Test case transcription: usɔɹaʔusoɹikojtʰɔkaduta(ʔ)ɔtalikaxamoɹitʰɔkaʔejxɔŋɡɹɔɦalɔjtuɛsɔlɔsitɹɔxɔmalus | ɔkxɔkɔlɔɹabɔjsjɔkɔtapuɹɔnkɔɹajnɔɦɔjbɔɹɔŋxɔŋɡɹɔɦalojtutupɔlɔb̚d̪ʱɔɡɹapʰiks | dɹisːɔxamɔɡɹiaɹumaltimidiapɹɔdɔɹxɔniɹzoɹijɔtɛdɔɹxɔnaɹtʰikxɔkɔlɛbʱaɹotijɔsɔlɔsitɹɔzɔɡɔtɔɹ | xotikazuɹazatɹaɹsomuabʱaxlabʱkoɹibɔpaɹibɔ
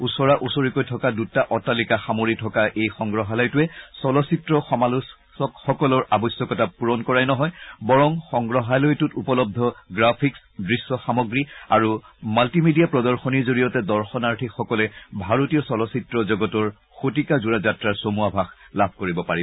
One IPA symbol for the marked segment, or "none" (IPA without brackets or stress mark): ʔ